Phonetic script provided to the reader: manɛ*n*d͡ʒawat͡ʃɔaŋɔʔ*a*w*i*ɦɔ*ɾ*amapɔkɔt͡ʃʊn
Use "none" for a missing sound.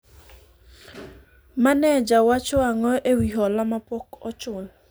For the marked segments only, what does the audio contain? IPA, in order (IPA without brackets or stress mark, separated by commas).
none, e, i, l